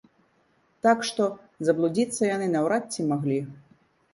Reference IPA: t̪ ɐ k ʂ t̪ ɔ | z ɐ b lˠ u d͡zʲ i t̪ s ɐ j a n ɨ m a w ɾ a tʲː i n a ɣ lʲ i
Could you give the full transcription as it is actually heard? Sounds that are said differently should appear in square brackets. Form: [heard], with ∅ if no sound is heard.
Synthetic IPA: t̪ [a] k ʂ t̪ ɔ | z ɐ b lˠ u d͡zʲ i t̪ [sː] ɐ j a n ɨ [n] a w ɾ a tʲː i [m] a ɣ lʲ i